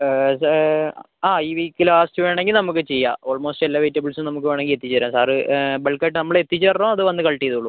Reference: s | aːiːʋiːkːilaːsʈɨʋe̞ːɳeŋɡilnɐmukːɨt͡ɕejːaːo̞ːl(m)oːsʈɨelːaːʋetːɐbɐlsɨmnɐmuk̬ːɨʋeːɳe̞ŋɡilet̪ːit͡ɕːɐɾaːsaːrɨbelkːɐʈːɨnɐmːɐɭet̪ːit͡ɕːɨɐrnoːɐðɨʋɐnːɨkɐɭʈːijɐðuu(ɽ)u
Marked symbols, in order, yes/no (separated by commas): yes, no